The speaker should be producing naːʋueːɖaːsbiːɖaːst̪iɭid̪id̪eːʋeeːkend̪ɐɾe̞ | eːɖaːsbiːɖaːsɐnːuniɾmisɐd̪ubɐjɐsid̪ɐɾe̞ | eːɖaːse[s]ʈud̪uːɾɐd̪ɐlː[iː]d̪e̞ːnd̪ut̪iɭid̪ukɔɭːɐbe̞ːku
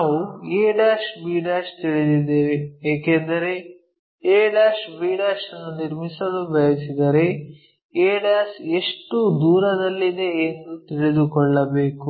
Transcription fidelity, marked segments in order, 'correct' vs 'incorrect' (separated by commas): incorrect, incorrect